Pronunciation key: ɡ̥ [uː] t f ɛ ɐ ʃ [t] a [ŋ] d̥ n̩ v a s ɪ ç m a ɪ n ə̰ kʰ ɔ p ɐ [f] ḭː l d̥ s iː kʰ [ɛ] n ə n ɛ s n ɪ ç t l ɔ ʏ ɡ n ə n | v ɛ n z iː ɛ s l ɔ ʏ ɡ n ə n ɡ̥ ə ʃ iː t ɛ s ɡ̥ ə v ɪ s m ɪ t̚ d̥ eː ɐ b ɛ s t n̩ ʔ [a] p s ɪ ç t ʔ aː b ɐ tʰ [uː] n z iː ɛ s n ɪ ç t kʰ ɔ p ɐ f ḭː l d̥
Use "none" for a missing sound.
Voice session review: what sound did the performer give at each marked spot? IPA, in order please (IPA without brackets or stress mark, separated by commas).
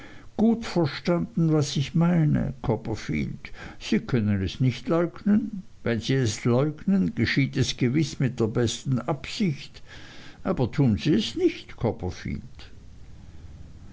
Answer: uː, t, n, f, œ, a, uː